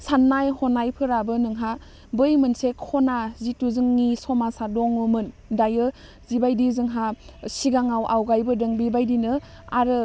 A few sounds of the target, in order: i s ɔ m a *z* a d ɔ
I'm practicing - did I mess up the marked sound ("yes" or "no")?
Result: yes